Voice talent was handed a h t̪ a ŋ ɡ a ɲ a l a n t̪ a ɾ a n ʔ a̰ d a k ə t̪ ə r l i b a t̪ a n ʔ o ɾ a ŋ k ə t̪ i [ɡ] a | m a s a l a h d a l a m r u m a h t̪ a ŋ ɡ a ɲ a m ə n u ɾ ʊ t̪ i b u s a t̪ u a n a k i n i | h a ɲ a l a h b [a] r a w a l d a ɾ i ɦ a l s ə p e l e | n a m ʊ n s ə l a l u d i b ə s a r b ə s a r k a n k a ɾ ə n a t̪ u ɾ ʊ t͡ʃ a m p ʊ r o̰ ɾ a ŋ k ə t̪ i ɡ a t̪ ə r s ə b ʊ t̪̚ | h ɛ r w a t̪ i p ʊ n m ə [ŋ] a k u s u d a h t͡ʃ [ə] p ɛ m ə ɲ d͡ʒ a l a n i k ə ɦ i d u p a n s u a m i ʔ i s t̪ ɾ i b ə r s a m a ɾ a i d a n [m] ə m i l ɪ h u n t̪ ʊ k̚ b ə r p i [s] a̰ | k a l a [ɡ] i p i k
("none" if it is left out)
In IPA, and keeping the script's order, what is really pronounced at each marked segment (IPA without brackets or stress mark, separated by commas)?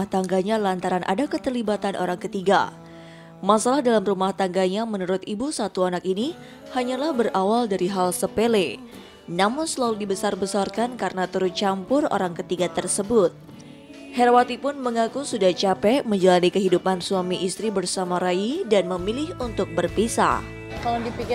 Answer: ɡ, ə, ŋ, a, m, s, d